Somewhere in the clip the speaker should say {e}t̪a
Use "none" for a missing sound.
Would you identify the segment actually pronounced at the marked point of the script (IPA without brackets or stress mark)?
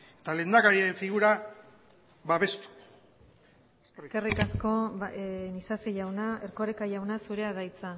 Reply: e